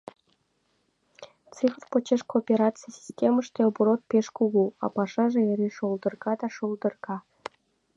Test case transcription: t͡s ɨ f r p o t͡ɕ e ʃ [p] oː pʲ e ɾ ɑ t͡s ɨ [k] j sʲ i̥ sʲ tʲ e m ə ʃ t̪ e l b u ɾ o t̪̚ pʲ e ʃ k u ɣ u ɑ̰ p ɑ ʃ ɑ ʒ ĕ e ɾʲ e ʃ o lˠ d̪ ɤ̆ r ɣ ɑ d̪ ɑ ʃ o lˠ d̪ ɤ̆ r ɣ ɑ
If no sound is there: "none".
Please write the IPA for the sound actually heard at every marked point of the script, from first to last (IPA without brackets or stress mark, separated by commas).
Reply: k, none